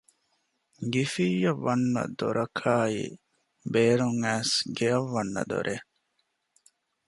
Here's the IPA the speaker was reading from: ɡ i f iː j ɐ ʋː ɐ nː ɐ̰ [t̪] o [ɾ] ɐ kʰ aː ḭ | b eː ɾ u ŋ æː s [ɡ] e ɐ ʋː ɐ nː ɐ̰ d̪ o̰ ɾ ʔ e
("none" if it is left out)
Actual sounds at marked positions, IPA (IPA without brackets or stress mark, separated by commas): d̪, ɾ, ɡ